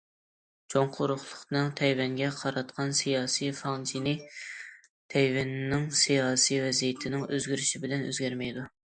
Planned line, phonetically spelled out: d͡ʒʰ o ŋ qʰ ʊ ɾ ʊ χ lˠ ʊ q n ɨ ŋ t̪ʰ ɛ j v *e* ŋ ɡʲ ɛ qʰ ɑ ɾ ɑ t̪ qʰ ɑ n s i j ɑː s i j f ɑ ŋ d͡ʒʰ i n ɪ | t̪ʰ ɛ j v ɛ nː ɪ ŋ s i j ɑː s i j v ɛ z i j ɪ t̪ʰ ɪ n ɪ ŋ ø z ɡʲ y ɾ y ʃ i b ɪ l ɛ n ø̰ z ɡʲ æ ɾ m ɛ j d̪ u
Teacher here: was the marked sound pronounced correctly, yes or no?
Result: no